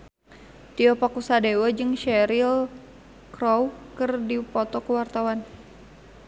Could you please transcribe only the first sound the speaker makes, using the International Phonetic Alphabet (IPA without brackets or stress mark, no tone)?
t̪